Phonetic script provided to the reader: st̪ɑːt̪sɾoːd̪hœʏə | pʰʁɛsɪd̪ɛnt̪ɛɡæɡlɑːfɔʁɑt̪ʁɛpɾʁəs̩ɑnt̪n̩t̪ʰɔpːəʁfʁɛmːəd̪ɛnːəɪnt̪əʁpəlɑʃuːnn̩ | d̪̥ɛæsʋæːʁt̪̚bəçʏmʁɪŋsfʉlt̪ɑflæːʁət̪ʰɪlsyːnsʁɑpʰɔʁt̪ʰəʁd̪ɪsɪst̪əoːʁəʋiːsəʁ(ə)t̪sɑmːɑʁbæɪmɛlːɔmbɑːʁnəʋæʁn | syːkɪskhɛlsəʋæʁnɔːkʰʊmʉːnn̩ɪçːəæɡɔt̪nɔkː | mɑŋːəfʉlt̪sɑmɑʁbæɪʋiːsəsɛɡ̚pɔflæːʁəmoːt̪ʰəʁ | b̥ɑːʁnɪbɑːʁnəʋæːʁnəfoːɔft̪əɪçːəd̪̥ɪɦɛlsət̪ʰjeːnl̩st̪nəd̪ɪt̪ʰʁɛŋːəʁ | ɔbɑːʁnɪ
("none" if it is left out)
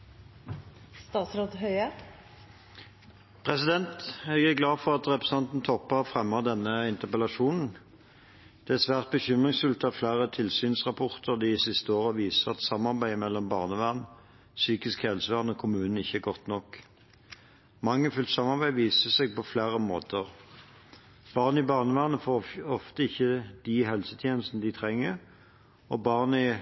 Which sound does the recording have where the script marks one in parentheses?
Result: ɑ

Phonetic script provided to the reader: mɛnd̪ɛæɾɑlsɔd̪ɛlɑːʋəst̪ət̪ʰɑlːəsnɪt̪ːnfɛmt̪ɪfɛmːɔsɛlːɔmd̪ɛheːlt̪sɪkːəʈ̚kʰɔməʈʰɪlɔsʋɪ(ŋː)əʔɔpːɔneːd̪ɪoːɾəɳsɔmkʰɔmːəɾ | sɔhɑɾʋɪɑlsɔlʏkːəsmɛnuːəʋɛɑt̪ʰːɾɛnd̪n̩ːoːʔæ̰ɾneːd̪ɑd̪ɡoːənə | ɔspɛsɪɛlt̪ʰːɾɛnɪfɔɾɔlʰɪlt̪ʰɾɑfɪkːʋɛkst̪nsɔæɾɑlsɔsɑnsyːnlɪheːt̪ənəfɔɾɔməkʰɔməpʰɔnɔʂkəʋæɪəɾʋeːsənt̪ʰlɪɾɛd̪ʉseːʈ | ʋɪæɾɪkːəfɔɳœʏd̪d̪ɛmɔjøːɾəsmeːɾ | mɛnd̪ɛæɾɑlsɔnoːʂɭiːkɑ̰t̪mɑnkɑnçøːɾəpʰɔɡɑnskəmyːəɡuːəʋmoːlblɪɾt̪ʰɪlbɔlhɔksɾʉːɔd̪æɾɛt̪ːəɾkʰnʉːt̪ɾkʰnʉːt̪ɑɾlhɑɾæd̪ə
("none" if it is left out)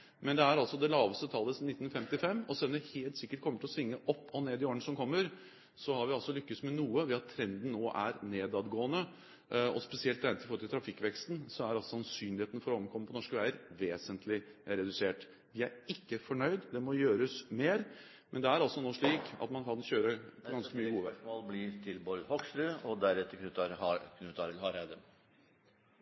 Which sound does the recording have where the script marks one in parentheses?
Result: ŋː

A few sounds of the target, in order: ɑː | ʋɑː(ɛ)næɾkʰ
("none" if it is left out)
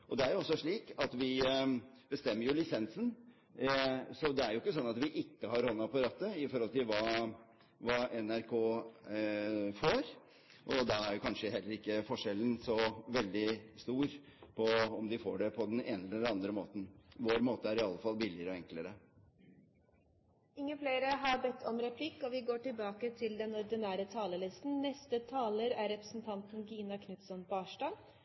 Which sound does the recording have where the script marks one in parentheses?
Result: ɛ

